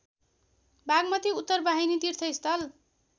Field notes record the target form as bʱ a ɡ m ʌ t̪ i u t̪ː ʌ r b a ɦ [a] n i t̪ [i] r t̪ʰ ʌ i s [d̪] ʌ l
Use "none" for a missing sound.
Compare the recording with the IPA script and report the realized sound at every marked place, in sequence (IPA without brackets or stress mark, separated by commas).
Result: i, i, t̪